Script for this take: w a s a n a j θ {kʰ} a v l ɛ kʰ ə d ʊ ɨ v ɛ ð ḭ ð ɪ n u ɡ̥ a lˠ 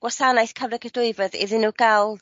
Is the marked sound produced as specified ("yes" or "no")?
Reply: yes